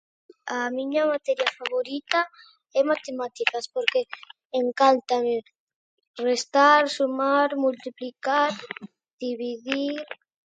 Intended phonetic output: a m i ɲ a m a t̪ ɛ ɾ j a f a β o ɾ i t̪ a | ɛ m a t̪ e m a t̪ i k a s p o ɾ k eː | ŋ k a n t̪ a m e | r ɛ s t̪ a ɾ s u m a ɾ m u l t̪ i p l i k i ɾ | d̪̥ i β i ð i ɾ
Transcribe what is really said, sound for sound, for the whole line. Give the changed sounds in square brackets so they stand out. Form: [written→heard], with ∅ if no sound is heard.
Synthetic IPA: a m i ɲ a m a t̪ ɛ ɾ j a f a β o ɾ i t̪ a | ɛ m a t̪ e m a t̪ i k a s p o ɾ k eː | ŋ k a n t̪ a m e | r [ɛ→e] s t̪ a ɾ s u m a ɾ m u l t̪ i p l i k [i→a] ɾ | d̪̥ i β i ð i ɾ